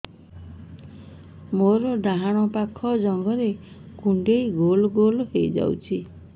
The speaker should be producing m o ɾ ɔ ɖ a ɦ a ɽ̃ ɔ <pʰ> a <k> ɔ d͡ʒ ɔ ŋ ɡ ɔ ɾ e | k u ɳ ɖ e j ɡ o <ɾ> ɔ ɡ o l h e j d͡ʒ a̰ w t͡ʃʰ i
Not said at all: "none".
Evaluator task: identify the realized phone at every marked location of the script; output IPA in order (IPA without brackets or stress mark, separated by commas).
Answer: p, kʰ, l